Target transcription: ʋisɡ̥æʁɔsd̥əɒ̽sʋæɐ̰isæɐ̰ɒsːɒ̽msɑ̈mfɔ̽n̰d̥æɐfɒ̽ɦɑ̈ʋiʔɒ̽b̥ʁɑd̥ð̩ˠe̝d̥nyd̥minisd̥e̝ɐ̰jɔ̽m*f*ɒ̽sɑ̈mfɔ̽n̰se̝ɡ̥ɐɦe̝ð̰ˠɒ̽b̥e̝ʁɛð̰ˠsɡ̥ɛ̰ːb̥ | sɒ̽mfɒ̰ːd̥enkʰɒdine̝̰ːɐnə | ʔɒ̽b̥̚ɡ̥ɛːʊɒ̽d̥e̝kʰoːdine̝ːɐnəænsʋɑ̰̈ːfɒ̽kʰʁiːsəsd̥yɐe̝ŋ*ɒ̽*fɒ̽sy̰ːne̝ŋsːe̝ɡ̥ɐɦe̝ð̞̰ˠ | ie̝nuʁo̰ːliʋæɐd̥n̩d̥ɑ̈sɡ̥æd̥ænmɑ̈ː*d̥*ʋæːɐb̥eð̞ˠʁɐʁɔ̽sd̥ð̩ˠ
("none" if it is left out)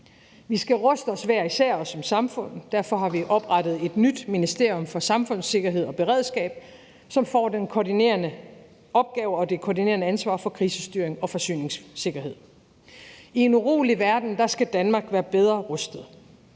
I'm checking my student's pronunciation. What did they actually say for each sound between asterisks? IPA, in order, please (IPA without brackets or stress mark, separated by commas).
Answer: f, ɒ̽, ɡ̥